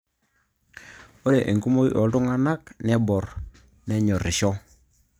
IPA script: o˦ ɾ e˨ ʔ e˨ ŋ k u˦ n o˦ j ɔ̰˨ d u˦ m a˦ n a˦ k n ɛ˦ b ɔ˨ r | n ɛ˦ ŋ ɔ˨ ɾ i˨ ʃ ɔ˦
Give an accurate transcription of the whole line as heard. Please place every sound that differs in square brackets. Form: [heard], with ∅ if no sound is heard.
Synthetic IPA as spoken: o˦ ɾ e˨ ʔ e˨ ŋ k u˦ [m] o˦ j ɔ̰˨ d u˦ [ŋ] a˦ n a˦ k n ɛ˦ b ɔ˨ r | n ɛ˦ [ɲ] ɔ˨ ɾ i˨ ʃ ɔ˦